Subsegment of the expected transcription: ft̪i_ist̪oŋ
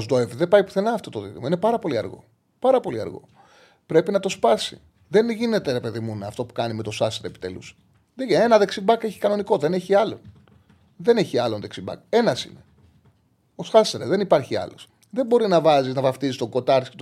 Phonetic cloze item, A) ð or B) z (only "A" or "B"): B